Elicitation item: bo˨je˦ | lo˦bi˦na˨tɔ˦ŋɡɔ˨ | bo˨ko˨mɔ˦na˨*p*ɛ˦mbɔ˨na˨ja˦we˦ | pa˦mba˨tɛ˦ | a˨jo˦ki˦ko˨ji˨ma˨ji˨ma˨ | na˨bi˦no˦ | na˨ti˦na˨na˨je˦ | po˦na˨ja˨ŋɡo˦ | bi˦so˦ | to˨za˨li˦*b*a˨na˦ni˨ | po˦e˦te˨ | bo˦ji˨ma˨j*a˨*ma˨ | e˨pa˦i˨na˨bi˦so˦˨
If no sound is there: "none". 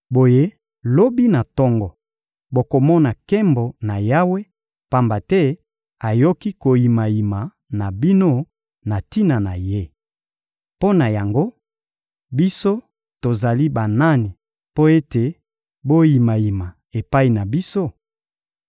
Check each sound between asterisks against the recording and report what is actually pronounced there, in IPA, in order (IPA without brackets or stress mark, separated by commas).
k, b, i˨